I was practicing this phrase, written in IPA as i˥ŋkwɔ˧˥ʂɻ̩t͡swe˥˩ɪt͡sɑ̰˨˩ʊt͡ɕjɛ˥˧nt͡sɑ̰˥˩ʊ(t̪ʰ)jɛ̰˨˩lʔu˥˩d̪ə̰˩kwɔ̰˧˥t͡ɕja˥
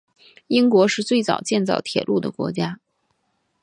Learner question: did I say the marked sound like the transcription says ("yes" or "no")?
yes